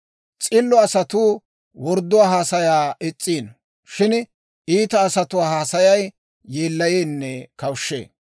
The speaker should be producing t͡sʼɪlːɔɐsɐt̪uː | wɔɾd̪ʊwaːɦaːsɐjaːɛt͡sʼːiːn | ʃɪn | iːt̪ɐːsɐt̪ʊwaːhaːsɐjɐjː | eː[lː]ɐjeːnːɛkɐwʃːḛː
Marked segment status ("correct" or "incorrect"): correct